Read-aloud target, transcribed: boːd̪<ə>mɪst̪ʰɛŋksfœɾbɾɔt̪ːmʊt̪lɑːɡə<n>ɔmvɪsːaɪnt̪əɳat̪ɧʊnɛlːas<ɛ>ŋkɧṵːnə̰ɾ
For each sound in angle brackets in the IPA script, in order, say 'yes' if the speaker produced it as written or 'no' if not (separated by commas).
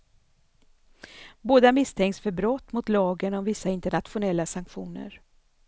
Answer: no, yes, no